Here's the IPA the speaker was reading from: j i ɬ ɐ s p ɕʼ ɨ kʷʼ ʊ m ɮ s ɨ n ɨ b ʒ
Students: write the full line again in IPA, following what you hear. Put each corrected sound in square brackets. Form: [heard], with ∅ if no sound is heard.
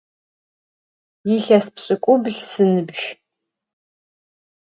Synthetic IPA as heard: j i ɬ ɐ s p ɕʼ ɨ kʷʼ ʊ [b] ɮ s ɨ n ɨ b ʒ